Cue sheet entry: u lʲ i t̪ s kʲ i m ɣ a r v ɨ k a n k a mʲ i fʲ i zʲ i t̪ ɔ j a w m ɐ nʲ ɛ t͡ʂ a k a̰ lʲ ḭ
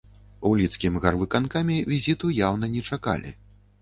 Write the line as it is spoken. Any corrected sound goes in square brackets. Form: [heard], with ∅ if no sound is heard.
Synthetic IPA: u lʲ i t̪ s kʲ i m ɣ a r v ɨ k a n k a mʲ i [vʲ] i zʲ i t̪ [u] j a w [n] ɐ nʲ ɛ t͡ʂ a k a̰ lʲ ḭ